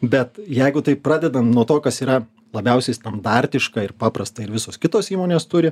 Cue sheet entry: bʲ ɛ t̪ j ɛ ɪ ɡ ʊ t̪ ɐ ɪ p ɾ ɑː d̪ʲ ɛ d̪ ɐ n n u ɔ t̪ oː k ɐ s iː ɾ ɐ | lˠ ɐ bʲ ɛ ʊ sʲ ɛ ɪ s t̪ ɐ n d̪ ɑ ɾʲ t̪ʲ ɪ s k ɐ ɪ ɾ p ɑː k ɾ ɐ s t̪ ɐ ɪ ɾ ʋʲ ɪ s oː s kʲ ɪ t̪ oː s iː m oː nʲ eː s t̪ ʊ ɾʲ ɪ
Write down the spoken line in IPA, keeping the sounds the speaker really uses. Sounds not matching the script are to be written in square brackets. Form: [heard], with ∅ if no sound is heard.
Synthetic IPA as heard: bʲ ɛ t̪ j ɛ ɪ ɡ ʊ t̪ ɐ ɪ p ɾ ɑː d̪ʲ ɛ d̪ ɐ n n u ɔ t̪ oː k ɐ s iː ɾ ɐ | lˠ ɐ bʲ ɛ ʊ sʲ ɛ ɪ s t̪ ɐ n d̪ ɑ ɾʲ t̪ʲ ɪ [ʃ] k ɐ ɪ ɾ p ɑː [p] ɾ ɐ s t̪ ɐ ɪ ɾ ʋʲ ɪ s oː s kʲ ɪ t̪ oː s iː m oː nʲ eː s t̪ ʊ ɾʲ ɪ